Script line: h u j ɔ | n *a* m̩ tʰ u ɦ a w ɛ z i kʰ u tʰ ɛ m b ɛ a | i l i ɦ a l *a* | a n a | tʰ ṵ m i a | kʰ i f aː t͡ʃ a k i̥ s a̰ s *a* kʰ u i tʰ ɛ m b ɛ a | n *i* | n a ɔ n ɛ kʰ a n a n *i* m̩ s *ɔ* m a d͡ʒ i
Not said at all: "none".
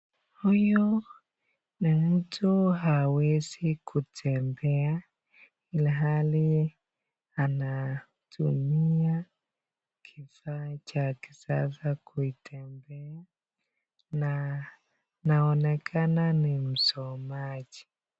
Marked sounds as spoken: i, i, a, a, i, ɔ

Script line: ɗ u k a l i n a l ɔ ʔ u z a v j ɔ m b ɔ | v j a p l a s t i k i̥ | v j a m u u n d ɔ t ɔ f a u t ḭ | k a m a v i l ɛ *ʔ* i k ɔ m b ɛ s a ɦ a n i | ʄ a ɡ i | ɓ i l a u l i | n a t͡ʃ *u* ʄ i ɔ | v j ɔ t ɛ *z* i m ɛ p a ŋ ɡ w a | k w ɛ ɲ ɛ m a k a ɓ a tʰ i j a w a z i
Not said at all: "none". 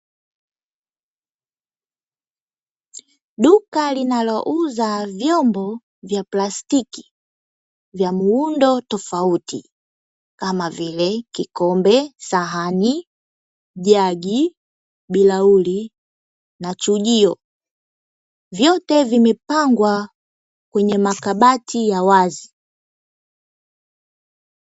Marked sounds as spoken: k, u, v

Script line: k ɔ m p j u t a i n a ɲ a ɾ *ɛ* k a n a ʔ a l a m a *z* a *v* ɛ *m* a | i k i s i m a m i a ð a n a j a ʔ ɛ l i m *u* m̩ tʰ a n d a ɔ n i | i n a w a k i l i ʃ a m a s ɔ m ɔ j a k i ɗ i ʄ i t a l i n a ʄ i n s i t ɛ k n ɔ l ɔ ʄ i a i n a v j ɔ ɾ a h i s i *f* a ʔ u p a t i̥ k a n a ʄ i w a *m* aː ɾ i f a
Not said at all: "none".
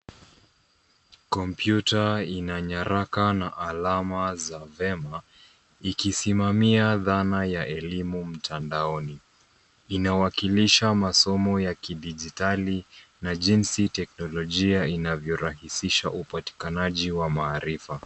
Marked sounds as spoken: a, z, v, m, u, ʃ, m

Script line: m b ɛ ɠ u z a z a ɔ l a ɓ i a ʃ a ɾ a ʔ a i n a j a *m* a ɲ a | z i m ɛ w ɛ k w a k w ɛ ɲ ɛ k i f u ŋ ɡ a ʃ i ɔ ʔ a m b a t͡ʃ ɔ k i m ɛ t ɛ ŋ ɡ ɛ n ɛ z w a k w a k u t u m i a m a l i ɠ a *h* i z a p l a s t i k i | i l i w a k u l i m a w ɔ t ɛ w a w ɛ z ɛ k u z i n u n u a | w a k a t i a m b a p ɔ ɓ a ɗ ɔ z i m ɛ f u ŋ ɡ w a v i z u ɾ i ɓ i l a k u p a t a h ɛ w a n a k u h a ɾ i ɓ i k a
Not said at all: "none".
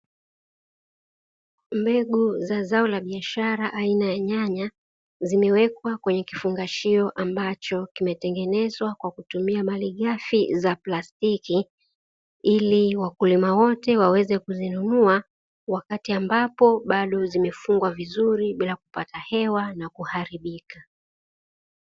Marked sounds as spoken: ɲ, f

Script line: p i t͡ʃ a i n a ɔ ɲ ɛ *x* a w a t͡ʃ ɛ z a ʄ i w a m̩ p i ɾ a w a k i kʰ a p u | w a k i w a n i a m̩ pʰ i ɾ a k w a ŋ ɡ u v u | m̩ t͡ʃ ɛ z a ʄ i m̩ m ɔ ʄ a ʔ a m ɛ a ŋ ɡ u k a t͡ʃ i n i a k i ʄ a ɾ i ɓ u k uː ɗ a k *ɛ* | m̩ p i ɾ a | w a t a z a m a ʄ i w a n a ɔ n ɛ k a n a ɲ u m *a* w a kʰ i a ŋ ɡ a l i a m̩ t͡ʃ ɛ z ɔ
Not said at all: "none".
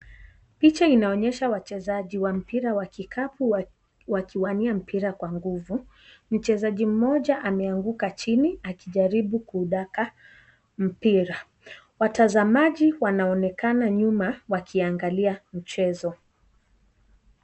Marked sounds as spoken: ʃ, a, a

